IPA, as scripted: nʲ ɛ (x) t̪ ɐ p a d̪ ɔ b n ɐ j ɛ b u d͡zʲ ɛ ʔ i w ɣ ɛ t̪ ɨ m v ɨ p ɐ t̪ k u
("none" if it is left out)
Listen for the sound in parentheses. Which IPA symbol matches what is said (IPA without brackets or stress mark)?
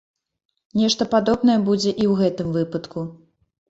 ʂ